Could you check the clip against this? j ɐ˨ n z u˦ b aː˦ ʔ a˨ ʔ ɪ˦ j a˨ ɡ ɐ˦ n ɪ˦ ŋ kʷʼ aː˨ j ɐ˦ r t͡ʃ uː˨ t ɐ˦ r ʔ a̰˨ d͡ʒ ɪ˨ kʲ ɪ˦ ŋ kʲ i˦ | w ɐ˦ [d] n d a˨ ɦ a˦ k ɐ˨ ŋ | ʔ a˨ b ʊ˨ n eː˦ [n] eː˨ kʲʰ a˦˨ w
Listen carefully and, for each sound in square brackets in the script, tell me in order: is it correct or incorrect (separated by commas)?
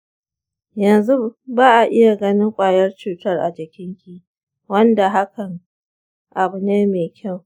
incorrect, incorrect